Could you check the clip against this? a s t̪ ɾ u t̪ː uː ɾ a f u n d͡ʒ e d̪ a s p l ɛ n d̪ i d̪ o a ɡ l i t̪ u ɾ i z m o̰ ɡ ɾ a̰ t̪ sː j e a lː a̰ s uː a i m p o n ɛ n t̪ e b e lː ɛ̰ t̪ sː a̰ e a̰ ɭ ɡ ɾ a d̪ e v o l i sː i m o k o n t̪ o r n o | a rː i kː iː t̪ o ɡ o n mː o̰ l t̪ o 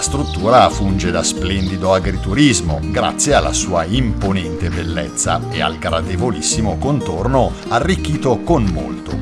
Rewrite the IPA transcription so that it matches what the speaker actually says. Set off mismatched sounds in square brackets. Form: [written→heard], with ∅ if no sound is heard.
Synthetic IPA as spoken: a s t̪ ɾ u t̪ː uː ɾ a f u n d͡ʒ e d̪ a s p l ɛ n d̪ i d̪ o a ɡ [l→ɾ] i t̪ u ɾ i z m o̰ ɡ ɾ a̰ t̪ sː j e a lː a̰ s uː a i m p o n ɛ n t̪ e b e lː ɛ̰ t̪ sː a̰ e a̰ [ɭ→l] ɡ ɾ a d̪ e v o l i sː i m o k o n t̪ o r n o | a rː i kː iː t̪ o [ɡ→k] o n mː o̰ l t̪ o

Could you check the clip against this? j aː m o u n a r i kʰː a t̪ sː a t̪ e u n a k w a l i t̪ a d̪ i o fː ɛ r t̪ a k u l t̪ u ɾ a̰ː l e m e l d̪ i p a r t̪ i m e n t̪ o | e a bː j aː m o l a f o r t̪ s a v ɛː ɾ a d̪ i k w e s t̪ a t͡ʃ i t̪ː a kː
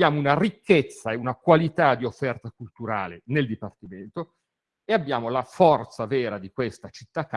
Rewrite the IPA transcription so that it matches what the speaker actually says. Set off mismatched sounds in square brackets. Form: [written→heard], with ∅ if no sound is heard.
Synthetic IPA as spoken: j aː m o u n a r i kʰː [a→e] t̪ sː a [t̪→∅] e u n a k w a l i t̪ a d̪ i o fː ɛ r t̪ a k u l t̪ u ɾ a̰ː l e [m→n] e l d̪ i p a r t̪ i m e n t̪ o | e a bː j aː m o l a f [o→ɔ] r t̪ s a v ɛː ɾ a d̪ i k w e s t̪ a t͡ʃ i t̪ː a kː

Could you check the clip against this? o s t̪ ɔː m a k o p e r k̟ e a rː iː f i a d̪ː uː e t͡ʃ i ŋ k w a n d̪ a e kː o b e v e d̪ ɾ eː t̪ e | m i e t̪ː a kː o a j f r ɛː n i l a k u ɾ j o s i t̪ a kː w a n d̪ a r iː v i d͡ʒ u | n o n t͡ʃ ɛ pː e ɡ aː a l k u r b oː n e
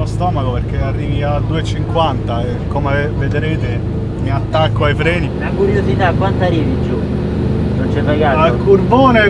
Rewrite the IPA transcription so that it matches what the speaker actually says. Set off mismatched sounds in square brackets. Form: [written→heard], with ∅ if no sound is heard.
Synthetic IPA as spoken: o s t̪ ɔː m a k o p e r k̟ e a rː iː [f→v] i a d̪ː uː e t͡ʃ i ŋ k w a n [d̪→t̪] a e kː o [b→m] e v e d̪ ɾ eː t̪ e | m i [e→a] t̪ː a kː o a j f [r→ɾ] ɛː n i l a k u ɾ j o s i t̪ a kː w a n [d̪→t̪] a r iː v i d͡ʒ u | n o n t͡ʃ ɛ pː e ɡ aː a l k u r b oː n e

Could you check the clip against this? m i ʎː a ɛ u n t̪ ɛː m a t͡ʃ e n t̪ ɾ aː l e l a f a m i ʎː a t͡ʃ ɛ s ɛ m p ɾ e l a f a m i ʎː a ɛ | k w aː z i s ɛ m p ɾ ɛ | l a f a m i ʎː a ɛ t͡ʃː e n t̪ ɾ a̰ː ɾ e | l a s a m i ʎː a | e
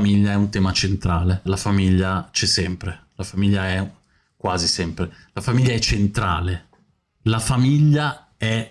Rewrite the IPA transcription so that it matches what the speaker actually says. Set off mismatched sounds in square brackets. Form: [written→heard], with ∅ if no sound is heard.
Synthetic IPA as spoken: m i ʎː a ɛ u n t̪ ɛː m a t͡ʃ e n t̪ ɾ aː l e l a f a m i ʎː a t͡ʃ ɛ s ɛ m p ɾ e l a f a m i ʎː a ɛ | k w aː z i s ɛ m p ɾ [ɛ→e] | l a f a m i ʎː a ɛ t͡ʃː e n t̪ ɾ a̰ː [ɾ→l] e | l a [s→f] a m i ʎː a | [e→ɛ]

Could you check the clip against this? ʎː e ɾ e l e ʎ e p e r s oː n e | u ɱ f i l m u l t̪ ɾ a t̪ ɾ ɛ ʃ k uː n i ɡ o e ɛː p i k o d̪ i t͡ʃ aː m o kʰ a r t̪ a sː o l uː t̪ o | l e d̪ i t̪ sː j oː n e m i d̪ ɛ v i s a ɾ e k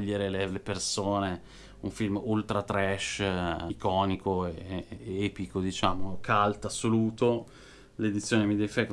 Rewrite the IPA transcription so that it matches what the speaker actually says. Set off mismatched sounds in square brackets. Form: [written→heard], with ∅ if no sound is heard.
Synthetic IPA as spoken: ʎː e ɾ e l e [ʎ→l] e p e r s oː n e | u ɱ f i l m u l t̪ ɾ a t̪ ɾ ɛ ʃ k [uː→ɔː] n i [ɡ→k] o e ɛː p i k o d̪ i t͡ʃ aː m o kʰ a [r→l] t̪ a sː o l uː t̪ o | l e d̪ i t̪ sː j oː n e m i d̪ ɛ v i [s→f] a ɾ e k

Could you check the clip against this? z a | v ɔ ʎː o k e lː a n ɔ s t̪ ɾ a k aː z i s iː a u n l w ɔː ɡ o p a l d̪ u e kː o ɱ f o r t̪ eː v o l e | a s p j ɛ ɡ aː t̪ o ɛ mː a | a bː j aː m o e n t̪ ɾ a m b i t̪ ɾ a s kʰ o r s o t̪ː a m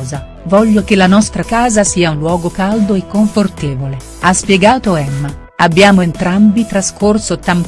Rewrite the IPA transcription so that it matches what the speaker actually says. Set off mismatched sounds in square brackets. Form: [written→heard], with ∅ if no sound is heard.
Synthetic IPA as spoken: z a | v ɔ ʎː o k e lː a n ɔ s t̪ ɾ a k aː z [i→a] s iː a u n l w ɔː ɡ o [p→k] a l d̪ [u→o] e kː o ɱ f o r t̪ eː v o l e | a s p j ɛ ɡ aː t̪ o ɛ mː a | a bː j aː m o e n t̪ ɾ a m b i t̪ ɾ a s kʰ o r s o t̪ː a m

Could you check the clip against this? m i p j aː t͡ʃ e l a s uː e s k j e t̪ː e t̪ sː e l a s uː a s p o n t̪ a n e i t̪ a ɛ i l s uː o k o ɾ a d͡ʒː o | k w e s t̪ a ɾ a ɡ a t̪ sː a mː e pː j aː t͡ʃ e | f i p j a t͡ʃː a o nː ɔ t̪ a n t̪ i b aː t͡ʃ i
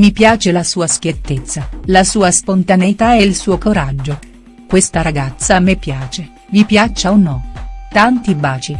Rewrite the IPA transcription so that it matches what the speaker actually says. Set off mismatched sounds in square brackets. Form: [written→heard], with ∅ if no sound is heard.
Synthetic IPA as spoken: m i p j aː t͡ʃ e l a s uː [e→a] s k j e t̪ː e t̪ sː [e→a] l a s uː a s p o n t̪ a n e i t̪ a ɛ i l s uː o k o ɾ a d͡ʒː o | k w e s t̪ a ɾ a ɡ a t̪ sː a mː e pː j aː t͡ʃ e | [f→v] i p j a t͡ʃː a o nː ɔ t̪ a n t̪ i b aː t͡ʃ i

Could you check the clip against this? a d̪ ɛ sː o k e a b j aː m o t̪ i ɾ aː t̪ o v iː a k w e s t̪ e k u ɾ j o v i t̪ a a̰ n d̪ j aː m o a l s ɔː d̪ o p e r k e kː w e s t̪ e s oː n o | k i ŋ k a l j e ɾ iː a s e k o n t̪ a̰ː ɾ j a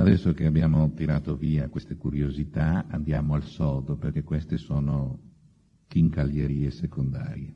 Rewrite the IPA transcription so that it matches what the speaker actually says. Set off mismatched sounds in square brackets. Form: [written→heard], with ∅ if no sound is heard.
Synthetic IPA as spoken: a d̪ ɛ sː o k e a b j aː m o t̪ i ɾ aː t̪ o v iː a k w e s t̪ e k u ɾ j o [v→z] i t̪ a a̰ n d̪ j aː m o a l s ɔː d̪ o p e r k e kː w e s t̪ e s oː n o | k i ŋ k a l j e ɾ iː [a→e] s e k o n [t̪→d̪] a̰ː ɾ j [a→e]

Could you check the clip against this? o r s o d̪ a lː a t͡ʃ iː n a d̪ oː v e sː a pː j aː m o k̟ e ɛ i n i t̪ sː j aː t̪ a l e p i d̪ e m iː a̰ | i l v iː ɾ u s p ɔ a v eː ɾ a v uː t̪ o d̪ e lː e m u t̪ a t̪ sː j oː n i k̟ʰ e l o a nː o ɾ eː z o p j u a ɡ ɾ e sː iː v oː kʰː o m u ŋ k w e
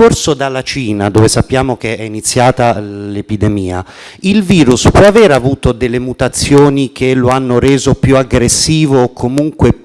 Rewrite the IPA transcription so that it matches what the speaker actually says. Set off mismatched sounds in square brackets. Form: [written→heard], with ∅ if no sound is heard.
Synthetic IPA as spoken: o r s o d̪ a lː a t͡ʃ iː n a d̪ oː v e [sː→s] a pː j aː m o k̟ e ɛ i n i t̪ sː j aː t̪ a l e p i d̪ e m iː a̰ | i l v iː ɾ u s p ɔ a v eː ɾ a v uː t̪ o d̪ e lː e m u t̪ a t̪ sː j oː n i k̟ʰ e l o a nː o ɾ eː z o p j u a ɡ ɾ e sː iː v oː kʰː o m u ŋ k w e

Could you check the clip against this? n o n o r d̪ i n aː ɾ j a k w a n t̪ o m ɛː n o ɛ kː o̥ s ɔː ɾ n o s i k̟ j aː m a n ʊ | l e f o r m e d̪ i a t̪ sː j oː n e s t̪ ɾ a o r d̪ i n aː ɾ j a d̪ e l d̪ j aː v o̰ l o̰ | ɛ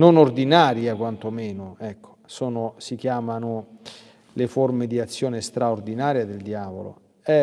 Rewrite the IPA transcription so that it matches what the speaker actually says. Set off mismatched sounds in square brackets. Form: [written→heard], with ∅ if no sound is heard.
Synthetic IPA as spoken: n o n o r d̪ i n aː ɾ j a k w a n t̪ o m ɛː n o ɛ kː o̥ s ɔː [ɾ→∅] n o s i k̟ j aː m a n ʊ | l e f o r m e d̪ i a t̪ sː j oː n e s t̪ ɾ a o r d̪ i n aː ɾ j a d̪ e l d̪ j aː v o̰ l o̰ | ɛ

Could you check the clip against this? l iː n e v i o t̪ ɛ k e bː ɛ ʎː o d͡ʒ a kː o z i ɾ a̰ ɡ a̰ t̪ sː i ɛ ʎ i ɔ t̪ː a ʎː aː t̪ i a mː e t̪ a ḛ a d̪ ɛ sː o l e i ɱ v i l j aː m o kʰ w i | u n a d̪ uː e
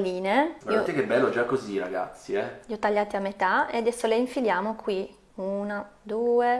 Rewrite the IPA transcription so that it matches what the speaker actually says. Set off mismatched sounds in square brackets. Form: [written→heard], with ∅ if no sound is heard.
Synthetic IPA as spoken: l iː n e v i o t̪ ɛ k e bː ɛ [ʎː→lː] o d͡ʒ a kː o z i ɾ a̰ ɡ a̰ t̪ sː i ɛ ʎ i ɔ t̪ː a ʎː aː t̪ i a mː e t̪ a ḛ a d̪ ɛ sː o l e i ɱ [v→f] i l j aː m o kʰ w i | u n a d̪ uː e

